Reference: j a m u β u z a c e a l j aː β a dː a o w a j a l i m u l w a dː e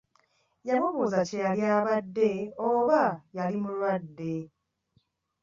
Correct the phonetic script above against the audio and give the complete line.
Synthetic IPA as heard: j a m u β u z a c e a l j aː β a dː e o β a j a l i m u l w a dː e

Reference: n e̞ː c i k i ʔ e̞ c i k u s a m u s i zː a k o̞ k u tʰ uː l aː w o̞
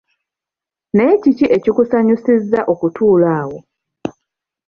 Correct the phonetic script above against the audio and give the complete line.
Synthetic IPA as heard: n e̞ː c i c i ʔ e̞ c i k u s a ɲ u s i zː a ʔ o̞ k u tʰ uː l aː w o̞

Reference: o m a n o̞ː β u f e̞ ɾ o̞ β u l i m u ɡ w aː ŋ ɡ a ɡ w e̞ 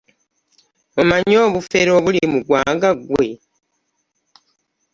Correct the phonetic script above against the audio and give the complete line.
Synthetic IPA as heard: o m a ɲ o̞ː β u f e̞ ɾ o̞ β u l i m u ɡ w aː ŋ ɡ a ɡ w e̞

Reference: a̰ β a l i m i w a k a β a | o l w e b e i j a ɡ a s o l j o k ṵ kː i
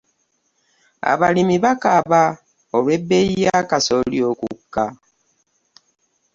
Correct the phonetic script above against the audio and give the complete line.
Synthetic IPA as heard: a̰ β a l i m i β a k a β a | o l w e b e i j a k a s o l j o k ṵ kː a

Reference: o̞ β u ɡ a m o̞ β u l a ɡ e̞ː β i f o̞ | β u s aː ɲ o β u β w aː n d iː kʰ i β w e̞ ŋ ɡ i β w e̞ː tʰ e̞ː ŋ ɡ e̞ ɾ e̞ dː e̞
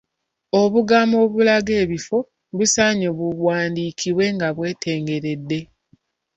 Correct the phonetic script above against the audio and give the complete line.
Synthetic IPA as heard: o̞ β u ɡ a m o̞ β u l a ɡ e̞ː β i f o̞ | β u s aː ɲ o β u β w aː n d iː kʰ i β w e̞ ŋ ɡ a β w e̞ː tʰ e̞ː ŋ ɡ e̞ ɾ e̞ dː e̞

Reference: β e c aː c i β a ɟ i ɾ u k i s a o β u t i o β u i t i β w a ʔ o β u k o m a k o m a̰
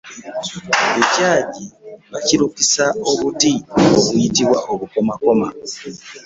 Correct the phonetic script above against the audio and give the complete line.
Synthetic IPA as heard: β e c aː ɟ i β a c i ɾ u k i s a o β u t i o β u i t i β w a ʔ o β u k o m a k o m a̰

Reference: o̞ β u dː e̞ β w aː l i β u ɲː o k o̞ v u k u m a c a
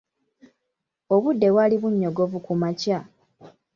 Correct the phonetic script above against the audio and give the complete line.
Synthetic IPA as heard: o̞ β u dː e̞ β w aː l i β u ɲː o ɡ o̞ v u k u m a c a

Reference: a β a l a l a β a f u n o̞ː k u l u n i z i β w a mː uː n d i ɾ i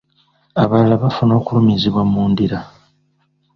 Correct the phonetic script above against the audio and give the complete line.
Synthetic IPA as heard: a β a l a l a β a f u n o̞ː k u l u m i z i β w a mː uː n d i ɾ a

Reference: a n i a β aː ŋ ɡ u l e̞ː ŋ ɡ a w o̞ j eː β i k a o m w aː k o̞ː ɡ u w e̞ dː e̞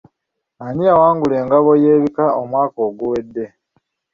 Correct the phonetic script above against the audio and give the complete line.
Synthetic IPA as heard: a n i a w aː ŋ ɡ u l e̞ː ŋ ɡ a β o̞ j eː β i k a o m w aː k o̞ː ɡ u w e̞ dː e̞

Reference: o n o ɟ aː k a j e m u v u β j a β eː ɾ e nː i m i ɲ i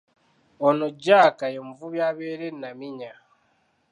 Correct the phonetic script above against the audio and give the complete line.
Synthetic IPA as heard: o n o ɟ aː k a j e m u v u β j a β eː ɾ e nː a m i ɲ a

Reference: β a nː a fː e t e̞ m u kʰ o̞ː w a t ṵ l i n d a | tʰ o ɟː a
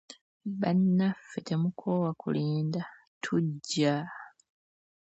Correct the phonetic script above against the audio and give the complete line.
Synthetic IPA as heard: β a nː a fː e t e̞ m u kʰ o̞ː w a k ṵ l iː n d a | tʰ u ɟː a

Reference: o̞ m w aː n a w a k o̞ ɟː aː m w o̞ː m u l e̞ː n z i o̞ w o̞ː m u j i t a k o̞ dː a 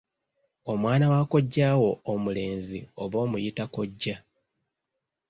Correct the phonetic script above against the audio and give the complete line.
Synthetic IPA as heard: o̞ m w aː n a w a k o̞ ɟː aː w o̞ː m u l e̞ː n z i o̞ β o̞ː m u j i t a k o̞ ɟː a

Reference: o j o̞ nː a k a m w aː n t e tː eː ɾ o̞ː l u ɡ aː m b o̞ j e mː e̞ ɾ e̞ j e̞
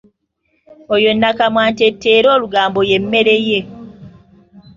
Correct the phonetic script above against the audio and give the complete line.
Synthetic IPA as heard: o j o̞ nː a k a m w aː n t e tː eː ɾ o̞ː l u ɡ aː m b o̞ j e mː e̞ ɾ e̞ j e̞

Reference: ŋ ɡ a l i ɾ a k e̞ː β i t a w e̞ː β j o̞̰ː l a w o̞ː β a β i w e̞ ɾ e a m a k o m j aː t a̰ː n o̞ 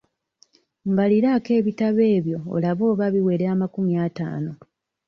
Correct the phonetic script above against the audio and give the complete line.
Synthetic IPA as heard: ŋ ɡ a l i ɾ a k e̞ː β i t a β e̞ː β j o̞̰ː l a β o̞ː β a β i w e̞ ɾ e a m a k u m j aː t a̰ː n o̞

